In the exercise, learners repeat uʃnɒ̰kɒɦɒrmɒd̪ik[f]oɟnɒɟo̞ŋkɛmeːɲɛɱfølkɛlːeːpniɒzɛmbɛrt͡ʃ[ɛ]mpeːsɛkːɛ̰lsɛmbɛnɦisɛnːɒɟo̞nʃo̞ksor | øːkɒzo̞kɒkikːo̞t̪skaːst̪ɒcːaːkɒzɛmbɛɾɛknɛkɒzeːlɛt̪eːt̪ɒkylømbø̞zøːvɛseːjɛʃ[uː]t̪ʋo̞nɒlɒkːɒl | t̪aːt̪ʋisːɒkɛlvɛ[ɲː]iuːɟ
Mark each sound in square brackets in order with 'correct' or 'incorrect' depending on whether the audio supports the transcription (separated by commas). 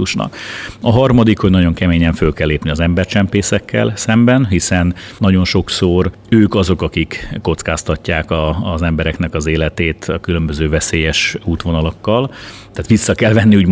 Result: incorrect, correct, correct, incorrect